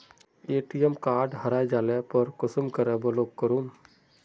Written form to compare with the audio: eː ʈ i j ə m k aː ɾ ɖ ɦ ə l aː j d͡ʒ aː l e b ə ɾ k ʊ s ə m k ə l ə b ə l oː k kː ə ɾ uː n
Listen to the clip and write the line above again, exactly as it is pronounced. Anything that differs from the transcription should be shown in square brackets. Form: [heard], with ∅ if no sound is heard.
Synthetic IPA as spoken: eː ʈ i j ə m k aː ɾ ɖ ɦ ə [ɾ] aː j d͡ʒ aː l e [p] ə ɾ k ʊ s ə m k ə [ɾ] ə b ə l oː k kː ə ɾ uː n